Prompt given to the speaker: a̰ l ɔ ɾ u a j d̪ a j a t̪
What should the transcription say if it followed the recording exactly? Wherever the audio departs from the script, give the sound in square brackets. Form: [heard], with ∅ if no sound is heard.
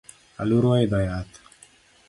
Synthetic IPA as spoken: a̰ l [u] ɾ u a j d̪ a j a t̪